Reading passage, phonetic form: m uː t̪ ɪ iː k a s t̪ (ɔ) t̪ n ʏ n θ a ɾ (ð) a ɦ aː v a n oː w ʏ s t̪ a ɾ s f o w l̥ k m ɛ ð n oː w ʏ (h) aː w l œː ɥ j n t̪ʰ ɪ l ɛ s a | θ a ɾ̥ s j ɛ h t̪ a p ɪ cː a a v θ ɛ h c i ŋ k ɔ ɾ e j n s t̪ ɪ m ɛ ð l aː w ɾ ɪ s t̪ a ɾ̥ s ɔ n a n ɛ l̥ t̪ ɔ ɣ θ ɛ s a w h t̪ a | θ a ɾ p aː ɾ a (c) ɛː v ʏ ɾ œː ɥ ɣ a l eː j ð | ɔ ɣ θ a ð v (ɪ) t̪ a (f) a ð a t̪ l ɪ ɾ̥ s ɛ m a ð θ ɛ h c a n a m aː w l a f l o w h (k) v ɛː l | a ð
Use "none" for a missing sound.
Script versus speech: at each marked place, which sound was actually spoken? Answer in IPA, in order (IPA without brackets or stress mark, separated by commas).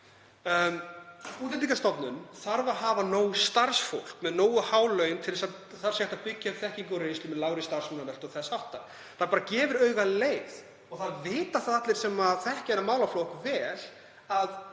ɔ, v, h, c, ɪː, θ, k